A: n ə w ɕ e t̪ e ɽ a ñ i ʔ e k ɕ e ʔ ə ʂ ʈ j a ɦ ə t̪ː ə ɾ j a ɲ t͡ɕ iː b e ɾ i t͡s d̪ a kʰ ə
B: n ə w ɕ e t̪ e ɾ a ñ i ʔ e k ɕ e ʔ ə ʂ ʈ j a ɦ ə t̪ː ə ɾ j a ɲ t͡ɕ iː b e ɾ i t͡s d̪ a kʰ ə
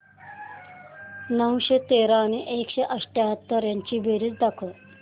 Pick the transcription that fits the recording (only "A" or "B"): B